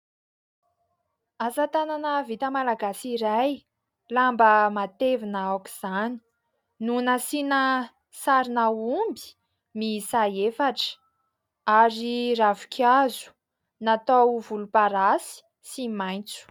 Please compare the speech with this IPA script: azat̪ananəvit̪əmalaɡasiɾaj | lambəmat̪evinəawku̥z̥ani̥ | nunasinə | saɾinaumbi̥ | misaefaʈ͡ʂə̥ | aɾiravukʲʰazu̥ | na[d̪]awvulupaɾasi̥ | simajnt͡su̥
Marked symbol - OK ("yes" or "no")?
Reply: no